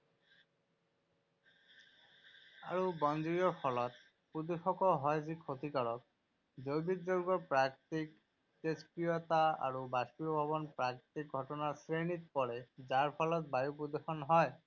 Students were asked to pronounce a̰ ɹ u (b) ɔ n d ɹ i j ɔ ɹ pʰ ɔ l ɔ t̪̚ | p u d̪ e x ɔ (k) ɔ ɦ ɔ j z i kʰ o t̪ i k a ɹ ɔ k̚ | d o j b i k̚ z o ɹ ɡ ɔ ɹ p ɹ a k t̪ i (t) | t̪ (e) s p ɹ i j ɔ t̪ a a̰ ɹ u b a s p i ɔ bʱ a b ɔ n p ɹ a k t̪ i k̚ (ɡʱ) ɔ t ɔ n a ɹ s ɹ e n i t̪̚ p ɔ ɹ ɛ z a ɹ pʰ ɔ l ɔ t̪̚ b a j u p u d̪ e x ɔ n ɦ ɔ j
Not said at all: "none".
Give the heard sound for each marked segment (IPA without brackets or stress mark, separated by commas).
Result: b, k, k, e, ɡʱ